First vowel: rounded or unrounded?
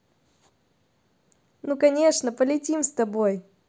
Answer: rounded